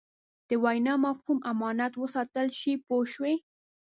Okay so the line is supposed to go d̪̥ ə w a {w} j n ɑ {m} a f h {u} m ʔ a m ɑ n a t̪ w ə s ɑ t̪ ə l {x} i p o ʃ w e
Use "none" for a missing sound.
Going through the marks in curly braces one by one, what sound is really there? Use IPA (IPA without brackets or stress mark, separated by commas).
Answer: none, m, u, ʃ